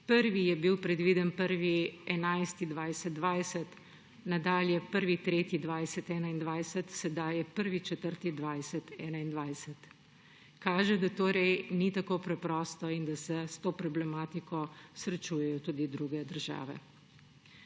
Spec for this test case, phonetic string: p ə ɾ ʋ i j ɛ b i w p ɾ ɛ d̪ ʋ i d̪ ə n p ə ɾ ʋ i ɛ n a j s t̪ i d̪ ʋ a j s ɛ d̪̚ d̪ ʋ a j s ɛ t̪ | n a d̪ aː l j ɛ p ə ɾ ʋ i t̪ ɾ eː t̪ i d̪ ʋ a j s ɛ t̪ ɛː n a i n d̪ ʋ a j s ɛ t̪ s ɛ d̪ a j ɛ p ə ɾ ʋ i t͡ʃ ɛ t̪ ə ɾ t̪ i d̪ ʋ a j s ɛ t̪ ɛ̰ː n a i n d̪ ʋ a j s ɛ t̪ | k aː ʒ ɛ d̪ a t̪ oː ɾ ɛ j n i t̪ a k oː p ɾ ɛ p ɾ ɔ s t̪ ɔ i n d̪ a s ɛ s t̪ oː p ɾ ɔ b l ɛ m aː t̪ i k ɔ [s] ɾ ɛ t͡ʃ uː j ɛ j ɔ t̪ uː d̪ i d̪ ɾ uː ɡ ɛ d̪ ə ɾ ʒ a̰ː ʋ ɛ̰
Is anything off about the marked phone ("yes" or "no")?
no